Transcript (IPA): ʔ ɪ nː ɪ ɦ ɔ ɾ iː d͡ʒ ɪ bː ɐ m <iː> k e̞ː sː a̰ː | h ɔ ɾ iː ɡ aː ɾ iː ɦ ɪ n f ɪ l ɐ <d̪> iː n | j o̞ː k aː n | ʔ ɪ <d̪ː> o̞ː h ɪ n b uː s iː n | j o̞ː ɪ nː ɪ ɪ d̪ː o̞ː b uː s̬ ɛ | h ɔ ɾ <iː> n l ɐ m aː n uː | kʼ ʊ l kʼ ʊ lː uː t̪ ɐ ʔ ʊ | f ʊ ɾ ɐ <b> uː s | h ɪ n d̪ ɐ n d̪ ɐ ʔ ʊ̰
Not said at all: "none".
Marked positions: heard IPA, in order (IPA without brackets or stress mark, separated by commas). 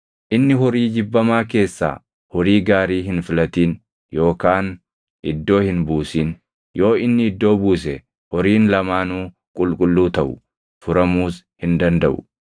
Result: aː, t̪, d̪ː, iː, m